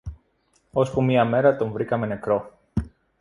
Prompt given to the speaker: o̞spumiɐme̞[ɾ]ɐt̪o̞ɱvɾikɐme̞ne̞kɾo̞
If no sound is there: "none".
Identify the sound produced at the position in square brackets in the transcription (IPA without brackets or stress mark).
ɾ